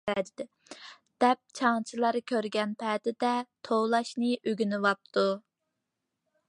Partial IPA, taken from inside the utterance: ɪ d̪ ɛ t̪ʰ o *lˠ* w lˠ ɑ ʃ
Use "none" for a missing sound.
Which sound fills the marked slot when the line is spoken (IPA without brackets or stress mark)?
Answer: none